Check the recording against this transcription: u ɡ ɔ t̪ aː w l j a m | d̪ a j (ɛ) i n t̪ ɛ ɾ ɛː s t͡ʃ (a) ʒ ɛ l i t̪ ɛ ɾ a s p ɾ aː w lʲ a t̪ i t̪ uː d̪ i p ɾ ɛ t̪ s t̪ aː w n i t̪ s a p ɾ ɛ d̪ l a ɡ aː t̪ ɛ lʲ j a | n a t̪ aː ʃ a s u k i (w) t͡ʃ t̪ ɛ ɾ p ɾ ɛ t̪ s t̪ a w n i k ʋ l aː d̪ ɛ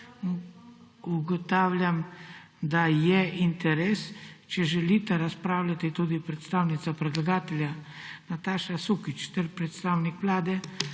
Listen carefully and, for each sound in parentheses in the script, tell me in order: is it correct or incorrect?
correct, incorrect: ɛ, incorrect: none

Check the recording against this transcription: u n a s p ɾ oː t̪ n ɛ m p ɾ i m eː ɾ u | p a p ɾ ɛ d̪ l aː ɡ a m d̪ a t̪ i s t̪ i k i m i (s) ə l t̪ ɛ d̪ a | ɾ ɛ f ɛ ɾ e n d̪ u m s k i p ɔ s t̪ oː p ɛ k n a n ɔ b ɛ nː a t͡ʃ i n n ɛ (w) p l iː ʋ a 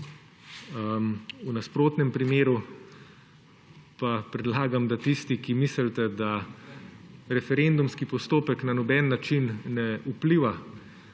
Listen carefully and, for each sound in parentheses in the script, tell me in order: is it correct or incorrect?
correct, incorrect: u

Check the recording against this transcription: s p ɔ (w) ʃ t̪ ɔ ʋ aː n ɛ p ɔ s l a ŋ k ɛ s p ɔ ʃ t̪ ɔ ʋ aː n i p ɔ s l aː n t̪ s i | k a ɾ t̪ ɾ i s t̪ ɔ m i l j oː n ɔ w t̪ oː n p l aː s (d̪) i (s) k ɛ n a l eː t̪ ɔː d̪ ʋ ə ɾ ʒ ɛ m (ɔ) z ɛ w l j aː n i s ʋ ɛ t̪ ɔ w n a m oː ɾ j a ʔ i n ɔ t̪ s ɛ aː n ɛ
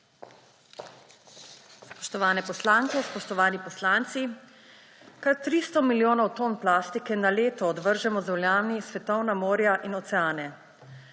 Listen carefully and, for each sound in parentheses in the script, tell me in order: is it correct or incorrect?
incorrect: none, incorrect: t̪, incorrect: none, correct

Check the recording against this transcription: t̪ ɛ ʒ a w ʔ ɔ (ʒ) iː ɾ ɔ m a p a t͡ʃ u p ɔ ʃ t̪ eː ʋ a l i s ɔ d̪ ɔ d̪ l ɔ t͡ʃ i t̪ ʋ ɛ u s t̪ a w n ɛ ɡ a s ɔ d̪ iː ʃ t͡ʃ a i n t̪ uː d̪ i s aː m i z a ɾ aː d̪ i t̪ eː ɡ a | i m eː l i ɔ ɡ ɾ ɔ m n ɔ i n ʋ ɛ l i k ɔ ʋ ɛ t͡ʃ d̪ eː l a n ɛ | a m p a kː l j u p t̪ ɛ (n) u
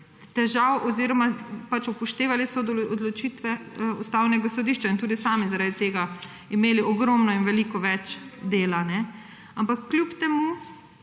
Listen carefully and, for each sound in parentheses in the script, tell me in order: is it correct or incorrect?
incorrect: z, incorrect: m

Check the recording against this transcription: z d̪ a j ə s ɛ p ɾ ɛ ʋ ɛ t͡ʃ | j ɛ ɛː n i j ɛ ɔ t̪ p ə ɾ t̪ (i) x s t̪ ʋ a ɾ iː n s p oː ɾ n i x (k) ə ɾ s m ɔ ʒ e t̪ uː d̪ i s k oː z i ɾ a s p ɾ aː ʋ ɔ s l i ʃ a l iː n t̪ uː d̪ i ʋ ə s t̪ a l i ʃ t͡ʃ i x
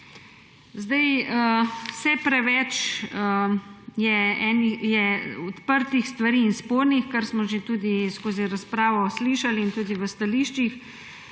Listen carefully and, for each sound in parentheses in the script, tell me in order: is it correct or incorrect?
correct, correct

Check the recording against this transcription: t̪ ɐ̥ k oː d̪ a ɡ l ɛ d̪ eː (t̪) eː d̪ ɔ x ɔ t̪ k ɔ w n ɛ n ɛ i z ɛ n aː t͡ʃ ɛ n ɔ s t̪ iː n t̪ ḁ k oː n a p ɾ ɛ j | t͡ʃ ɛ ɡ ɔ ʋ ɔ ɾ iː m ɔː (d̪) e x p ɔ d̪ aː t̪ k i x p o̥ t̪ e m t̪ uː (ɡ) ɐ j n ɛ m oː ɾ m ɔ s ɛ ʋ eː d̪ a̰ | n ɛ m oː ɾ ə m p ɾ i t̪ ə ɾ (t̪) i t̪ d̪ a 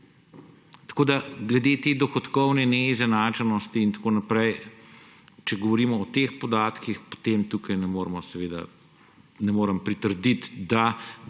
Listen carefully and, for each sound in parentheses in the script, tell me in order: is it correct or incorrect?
correct, incorrect: t̪, incorrect: k, incorrect: d̪

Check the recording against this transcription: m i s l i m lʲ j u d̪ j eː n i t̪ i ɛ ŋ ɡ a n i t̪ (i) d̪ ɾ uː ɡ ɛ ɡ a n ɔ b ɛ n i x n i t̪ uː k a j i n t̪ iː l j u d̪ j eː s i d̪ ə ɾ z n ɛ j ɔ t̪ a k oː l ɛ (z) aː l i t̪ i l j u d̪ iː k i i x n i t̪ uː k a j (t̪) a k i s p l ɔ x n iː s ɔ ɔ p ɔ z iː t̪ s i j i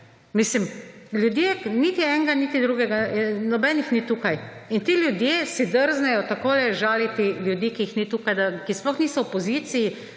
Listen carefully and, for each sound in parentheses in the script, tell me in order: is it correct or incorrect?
correct, incorrect: ʒ, incorrect: d̪

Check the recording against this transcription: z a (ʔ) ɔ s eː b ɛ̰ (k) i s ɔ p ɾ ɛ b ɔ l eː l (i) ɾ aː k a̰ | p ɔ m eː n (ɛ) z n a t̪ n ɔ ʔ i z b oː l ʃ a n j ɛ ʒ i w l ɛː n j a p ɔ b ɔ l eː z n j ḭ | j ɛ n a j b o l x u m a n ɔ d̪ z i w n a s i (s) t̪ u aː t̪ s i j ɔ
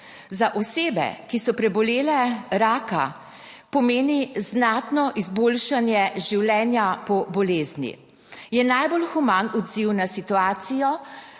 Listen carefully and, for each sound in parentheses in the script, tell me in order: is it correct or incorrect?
correct, correct, incorrect: ɛ, incorrect: i, incorrect: none

